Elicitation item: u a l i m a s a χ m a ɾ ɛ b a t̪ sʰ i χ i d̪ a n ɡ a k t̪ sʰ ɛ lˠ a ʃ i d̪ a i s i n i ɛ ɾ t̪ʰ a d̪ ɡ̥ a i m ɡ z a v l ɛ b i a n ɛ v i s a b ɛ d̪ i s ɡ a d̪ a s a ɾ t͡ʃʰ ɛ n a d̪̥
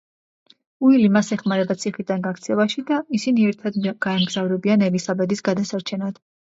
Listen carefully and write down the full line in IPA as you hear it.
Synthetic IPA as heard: u i l i m a s ɛ χ m a ɾ ɛ b a t̪ sʰ i χ i d̪ a n ɡ a k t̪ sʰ ɛ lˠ a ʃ i d̪ a i s i n i ɛ ɾ t̪ʰ a d̪ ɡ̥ a ɛ m ɡ z a v ɾ ɛ b i a n ɛ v i s a b ɛ d̪ i s ɡ a d̪ a s a ɾ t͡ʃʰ ɛ n a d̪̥